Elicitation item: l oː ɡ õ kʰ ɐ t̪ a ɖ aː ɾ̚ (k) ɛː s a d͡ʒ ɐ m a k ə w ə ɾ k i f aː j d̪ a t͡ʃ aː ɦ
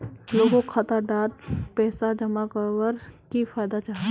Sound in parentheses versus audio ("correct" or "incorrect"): incorrect